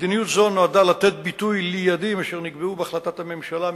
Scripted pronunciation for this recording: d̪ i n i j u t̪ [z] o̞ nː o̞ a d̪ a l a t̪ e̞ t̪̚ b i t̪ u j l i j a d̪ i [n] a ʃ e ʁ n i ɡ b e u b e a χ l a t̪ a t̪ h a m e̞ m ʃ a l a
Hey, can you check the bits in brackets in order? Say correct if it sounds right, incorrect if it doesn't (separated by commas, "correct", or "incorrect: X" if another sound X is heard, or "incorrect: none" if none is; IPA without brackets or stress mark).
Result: correct, incorrect: m